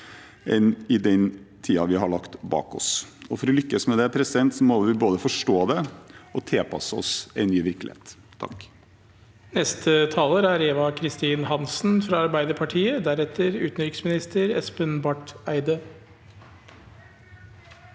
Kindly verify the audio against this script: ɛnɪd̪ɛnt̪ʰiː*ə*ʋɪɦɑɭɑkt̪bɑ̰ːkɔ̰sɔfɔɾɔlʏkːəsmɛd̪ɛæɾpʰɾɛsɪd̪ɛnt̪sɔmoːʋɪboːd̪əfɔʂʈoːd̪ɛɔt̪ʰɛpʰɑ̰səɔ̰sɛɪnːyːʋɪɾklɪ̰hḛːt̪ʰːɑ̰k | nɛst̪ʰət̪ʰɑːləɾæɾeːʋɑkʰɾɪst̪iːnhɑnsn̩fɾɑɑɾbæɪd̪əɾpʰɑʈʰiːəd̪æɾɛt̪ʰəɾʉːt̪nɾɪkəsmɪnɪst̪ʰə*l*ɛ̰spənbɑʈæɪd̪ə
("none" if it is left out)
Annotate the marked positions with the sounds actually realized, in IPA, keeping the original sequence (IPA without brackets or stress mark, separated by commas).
ɑ, ɾ